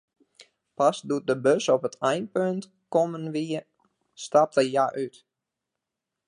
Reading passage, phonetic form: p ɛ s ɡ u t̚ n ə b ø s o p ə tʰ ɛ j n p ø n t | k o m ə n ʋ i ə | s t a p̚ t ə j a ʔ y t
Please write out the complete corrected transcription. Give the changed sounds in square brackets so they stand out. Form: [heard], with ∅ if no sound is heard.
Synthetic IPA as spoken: p [a] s [d] u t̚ [d] ə b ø s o p ə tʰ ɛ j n p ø n t | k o m ə n ʋ i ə | s t a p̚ t ə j a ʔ y t